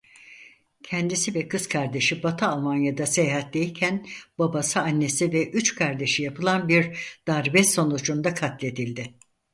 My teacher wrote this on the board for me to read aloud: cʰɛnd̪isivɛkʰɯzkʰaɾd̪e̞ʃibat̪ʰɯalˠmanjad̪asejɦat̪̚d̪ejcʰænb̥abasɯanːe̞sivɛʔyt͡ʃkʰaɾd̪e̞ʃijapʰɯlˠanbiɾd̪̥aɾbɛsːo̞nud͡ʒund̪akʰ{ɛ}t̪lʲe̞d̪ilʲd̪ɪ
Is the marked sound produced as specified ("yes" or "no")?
no